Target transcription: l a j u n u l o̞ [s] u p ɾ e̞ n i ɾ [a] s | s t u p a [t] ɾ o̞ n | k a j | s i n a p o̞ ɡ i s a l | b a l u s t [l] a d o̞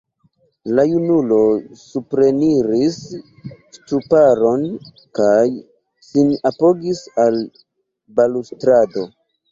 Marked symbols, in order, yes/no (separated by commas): yes, no, no, no